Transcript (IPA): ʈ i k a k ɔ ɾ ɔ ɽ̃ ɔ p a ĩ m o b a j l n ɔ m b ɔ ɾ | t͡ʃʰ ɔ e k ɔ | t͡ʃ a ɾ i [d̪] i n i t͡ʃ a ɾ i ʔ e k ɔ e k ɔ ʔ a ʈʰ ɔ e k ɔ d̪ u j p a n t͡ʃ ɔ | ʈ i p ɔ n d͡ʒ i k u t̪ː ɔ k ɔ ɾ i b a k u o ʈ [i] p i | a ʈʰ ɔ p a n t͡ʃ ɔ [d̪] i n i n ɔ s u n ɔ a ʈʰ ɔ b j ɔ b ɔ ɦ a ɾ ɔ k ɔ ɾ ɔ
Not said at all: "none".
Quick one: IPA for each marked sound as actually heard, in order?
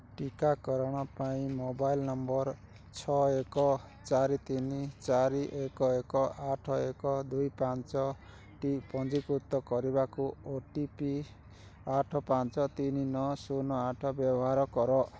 t̪, i, t̪

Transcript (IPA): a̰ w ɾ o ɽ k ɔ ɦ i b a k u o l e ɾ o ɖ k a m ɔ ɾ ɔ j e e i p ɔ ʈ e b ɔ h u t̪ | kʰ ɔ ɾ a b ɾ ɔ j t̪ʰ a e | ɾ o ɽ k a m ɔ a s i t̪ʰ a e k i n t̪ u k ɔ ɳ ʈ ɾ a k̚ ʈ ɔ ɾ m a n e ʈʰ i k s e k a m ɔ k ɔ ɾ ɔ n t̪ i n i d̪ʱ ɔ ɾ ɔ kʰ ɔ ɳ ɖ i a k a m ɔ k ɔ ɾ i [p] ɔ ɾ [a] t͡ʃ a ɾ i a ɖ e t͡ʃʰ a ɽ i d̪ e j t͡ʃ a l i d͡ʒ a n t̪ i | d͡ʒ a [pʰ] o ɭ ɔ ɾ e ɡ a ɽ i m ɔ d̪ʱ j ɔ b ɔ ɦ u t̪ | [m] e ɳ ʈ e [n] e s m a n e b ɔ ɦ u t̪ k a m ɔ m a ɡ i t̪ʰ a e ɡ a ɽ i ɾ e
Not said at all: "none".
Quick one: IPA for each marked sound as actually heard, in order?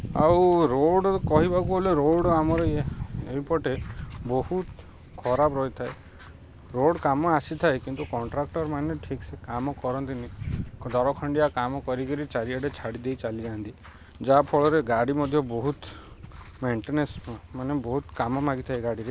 k, i, pʰ, m, n

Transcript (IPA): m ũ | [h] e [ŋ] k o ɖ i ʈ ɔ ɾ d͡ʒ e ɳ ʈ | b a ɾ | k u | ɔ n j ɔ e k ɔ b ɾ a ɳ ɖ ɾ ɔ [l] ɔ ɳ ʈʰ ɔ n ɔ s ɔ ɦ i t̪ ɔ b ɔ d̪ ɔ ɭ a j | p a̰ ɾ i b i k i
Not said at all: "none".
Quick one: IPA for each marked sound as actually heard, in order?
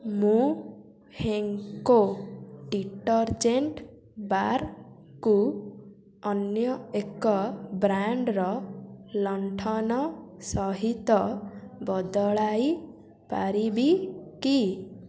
h, ŋ, l

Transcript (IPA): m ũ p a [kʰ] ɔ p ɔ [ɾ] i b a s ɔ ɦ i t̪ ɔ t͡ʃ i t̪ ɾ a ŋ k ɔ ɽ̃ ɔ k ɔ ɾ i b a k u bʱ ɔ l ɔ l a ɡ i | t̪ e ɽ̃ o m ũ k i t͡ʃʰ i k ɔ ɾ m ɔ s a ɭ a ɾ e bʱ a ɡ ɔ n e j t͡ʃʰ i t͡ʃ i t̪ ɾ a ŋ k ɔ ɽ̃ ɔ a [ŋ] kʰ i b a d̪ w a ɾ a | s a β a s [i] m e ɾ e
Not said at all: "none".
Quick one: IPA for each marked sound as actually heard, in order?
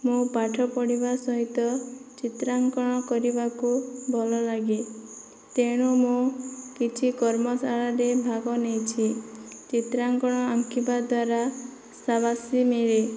ʈʰ, ɽ, ŋ, i

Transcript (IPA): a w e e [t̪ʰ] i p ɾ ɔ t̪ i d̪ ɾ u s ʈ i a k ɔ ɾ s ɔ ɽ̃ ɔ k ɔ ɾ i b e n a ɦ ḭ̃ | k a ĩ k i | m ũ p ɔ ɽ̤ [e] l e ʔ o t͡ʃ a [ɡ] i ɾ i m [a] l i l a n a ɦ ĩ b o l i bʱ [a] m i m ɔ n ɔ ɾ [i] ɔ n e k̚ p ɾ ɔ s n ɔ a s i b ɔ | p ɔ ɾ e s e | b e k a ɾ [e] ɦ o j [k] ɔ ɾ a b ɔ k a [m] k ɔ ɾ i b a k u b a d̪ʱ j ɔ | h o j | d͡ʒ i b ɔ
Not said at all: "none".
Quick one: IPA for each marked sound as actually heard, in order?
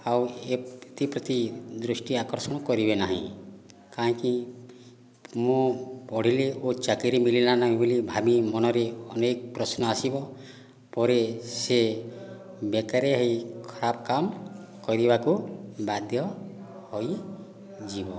t̪, i, k, i, a, e, e, kʰ, m

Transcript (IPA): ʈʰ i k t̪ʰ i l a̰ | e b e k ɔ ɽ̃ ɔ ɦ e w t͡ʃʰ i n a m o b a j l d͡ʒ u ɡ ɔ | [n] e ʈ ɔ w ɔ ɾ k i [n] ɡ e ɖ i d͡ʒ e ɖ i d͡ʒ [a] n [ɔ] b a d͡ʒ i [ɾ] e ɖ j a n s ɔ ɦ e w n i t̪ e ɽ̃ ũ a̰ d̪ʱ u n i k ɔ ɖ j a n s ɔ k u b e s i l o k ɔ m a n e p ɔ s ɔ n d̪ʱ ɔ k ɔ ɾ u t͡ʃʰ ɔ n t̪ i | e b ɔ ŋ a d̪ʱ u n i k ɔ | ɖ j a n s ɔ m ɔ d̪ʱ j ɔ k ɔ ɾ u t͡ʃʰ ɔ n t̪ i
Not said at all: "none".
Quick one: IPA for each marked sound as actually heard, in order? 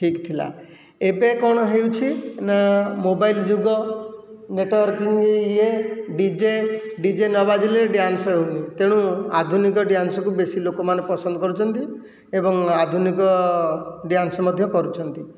n, ŋ, e, ɔ, l

